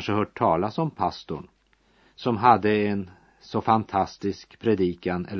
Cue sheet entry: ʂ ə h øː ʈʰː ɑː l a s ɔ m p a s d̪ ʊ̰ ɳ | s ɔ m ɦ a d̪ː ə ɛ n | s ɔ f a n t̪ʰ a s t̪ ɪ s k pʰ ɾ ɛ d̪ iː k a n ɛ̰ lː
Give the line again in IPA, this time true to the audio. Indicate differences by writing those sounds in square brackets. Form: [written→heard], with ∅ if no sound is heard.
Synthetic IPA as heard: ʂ ə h [øː→œː] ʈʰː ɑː l a s ɔ m [p→pʰ] a s [d̪→t̪] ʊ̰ ɳ | s ɔ m ɦ a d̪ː ə ɛ n | s ɔ f a n t̪ʰ a s t̪ ɪ s k pʰ ɾ ɛ d̪ iː k a n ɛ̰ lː